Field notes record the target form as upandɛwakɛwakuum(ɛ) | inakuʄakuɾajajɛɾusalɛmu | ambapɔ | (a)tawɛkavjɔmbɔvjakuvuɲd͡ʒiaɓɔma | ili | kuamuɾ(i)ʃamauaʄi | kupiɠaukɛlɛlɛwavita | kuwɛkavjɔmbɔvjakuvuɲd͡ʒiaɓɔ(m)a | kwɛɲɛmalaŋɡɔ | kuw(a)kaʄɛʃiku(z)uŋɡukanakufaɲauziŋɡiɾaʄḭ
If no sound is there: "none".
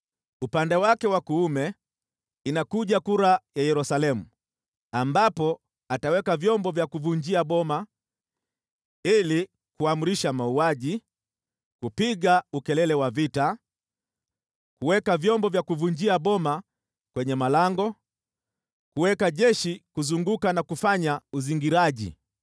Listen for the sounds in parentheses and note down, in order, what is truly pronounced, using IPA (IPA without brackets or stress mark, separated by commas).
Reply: ɛ, a, i, m, ɛ, z